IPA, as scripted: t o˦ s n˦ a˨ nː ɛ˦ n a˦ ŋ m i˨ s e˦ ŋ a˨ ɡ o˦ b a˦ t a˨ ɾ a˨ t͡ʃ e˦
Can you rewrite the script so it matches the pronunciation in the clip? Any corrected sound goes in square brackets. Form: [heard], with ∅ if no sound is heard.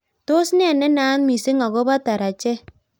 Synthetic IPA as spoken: t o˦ s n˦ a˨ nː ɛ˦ n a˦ [n] m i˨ s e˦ ŋ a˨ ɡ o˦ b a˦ t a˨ ɾ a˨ t͡ʃ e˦